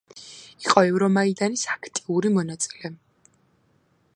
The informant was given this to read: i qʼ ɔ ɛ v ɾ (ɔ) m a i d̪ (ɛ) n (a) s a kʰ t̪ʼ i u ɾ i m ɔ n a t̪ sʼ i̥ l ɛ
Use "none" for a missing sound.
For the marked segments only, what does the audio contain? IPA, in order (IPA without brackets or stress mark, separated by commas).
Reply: ɔ, a, i